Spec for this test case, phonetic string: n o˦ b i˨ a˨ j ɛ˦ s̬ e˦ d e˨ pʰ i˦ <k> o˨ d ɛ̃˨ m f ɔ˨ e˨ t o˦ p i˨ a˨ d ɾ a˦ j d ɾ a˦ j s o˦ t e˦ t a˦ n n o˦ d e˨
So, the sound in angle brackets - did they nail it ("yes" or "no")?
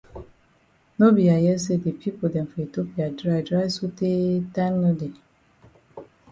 no